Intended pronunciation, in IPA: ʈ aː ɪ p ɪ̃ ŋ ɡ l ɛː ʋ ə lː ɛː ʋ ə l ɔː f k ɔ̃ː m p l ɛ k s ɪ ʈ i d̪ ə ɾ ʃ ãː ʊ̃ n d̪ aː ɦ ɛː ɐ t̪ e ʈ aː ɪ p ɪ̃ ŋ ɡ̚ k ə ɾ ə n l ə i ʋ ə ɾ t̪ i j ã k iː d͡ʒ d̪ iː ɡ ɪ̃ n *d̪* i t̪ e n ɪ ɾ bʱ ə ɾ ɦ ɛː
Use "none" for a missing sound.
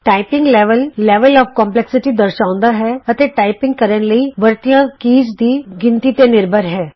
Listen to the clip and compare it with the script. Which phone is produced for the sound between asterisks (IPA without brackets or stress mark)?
t̪